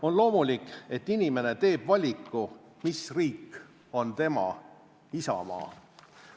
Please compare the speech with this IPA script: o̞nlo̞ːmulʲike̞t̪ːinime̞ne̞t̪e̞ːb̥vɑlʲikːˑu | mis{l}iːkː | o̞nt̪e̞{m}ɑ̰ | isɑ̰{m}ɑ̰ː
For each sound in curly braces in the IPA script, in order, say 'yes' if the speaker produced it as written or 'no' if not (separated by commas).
no, yes, yes